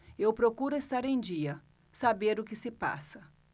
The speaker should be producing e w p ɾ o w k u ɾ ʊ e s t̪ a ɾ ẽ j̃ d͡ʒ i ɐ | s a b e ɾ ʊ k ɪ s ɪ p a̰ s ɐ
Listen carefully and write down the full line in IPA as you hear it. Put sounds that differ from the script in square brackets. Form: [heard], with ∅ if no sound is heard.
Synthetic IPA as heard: e w p ɾ o [∅] k u ɾ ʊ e s t̪ a ɾ ẽ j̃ d͡ʒ i ɐ | s a b e ɾ ʊ k ɪ s ɪ p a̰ s ɐ